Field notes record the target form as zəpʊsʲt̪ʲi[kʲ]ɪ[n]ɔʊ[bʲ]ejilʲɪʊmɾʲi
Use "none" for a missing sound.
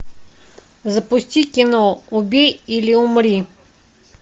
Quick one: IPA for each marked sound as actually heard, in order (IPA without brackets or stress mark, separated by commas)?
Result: kʲ, n, bʲ